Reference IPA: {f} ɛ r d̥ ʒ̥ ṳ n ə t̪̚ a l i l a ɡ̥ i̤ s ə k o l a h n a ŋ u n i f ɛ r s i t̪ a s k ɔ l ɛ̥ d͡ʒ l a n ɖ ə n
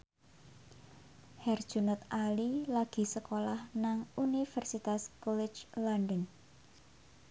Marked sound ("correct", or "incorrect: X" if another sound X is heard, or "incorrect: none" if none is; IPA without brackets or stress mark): incorrect: h